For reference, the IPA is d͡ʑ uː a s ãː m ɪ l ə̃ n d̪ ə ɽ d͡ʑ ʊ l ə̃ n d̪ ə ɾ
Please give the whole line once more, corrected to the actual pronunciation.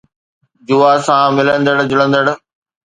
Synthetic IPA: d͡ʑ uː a s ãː m ɪ l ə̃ n d̪ ə ɽ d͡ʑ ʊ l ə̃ n d̪ ə ɽ